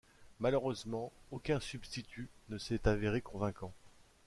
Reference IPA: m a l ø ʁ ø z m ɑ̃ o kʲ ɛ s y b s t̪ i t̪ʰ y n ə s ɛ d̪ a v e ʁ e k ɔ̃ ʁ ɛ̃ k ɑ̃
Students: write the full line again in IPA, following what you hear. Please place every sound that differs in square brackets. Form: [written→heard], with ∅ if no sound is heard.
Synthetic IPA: m a l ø ʁ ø z m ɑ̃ o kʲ [ɛ→ɛ̃] s y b s t̪ i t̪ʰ y n ə s ɛ [d̪→t̪] a v e ʁ e k ɔ̃ [ʁ→v] ɛ̃ k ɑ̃

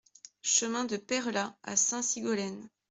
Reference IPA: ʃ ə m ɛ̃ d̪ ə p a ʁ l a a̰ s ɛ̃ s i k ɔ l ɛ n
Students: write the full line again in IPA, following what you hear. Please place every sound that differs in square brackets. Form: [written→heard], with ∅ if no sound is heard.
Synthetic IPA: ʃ ə m ɛ̃ d̪ ə p [a→ɛ] ʁ l a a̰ s ɛ̃ s i [k→ɡ] ɔ l ɛ n

